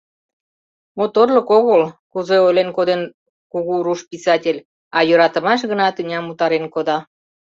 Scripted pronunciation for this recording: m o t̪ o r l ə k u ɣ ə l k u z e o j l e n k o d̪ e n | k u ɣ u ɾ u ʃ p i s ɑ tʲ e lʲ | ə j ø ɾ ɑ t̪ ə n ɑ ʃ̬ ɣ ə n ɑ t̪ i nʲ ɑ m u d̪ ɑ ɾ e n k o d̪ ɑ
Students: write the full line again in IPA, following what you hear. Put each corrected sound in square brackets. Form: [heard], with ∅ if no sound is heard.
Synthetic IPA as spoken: m o t̪ o r l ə k [o] ɣ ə l k u z e o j l e n k o d̪ e n | k u ɣ u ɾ u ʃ p i s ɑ tʲ e lʲ | [ɑ] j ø ɾ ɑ t̪ ə [m] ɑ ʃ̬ ɣ ə n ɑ t̪ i nʲ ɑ m u [t̪] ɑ ɾ e n k o d̪ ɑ